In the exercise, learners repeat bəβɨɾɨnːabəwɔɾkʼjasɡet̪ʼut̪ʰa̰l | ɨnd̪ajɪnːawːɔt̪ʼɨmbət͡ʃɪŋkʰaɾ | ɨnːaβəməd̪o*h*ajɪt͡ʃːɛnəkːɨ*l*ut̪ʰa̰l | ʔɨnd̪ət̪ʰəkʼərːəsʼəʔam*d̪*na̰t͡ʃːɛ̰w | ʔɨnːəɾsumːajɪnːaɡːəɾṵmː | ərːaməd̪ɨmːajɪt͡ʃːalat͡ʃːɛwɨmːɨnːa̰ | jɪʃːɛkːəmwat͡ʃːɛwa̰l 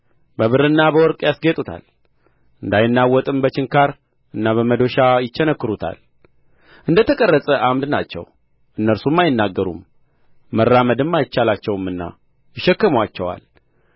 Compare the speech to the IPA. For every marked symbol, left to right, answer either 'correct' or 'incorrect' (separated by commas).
incorrect, incorrect, correct